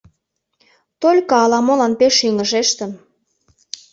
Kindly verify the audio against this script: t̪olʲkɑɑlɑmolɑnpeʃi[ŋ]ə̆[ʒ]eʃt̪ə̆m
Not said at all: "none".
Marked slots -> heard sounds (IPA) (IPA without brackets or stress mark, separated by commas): ŋ, ʒ